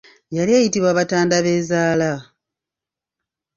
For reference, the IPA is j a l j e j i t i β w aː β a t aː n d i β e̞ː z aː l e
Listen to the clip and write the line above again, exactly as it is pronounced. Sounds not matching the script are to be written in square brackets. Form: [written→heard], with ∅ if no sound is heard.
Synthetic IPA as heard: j a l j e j i t i β w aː β a t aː n d [i→a] β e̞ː z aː l [e→a]